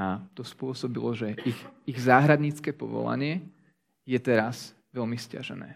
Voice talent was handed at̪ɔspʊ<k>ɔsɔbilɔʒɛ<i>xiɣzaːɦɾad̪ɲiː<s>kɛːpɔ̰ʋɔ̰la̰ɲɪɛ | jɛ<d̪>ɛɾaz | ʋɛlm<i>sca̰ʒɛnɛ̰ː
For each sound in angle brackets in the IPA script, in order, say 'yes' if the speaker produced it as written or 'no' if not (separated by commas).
no, yes, no, no, yes